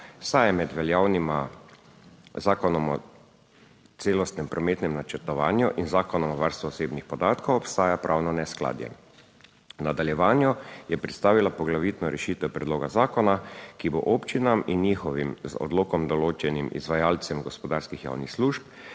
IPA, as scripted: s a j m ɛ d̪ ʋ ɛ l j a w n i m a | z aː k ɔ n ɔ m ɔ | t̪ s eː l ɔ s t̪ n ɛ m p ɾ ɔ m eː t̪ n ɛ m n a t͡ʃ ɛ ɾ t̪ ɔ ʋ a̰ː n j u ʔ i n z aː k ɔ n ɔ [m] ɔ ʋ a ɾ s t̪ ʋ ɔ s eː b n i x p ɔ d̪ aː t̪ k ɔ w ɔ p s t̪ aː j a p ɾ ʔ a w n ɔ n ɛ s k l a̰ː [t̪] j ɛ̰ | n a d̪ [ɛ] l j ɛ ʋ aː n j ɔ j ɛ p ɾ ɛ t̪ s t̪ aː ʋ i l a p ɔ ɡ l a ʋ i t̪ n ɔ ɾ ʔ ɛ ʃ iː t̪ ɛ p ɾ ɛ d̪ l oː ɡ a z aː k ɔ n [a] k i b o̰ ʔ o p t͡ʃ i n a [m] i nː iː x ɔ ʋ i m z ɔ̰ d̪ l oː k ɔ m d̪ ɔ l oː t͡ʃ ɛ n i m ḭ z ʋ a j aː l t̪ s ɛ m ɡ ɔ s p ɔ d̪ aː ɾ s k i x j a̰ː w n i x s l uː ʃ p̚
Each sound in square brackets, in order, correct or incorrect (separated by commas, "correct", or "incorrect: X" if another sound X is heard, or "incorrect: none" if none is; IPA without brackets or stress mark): correct, incorrect: d̪, incorrect: a, correct, correct